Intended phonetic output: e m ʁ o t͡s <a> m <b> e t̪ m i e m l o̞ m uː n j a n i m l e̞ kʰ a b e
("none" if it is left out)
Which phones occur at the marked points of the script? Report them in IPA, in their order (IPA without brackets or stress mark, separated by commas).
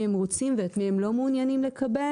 i, v